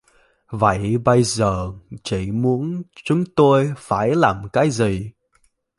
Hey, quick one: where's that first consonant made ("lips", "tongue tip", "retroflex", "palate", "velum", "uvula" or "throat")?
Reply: lips